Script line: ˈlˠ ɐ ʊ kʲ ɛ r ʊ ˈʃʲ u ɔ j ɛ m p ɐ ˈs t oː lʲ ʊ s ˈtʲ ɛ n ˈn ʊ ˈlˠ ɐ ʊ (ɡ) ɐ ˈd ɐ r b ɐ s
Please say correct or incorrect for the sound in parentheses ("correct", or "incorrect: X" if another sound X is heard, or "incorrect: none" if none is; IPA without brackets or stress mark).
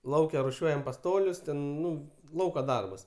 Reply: incorrect: k